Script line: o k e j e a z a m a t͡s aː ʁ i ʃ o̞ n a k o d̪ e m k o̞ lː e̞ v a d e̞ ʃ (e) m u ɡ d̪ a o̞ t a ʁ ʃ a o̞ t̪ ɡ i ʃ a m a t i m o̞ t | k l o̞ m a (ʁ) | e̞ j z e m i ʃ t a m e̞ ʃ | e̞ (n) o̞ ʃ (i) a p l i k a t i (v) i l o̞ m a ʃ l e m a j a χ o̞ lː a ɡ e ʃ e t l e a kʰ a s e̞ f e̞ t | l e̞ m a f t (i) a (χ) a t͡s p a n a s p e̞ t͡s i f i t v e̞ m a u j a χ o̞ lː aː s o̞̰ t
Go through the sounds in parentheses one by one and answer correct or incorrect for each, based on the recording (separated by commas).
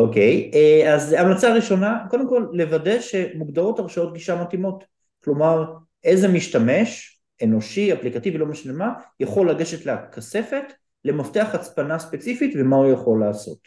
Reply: correct, correct, correct, correct, correct, incorrect, correct